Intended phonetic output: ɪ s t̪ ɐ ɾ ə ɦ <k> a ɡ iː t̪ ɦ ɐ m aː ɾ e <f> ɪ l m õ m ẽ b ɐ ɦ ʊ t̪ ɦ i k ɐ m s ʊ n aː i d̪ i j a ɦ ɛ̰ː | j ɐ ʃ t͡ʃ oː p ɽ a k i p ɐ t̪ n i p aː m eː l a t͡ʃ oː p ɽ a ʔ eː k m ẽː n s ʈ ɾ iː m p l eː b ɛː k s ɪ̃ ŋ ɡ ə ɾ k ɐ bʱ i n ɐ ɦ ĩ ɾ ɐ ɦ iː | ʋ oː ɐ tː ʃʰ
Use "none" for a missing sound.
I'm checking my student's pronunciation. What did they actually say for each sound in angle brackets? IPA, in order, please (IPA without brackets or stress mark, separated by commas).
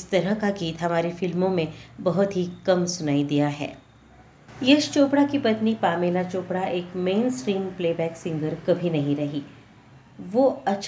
k, f